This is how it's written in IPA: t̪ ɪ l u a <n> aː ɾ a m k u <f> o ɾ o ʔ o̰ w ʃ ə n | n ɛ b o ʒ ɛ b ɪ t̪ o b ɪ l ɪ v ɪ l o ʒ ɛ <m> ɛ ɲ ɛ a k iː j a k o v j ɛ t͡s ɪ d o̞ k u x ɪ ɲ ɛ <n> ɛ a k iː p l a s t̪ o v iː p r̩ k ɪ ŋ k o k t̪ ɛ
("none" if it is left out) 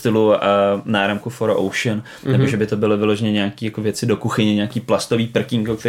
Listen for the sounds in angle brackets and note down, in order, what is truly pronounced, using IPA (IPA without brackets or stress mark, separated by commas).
n, f, ɲ, ɲ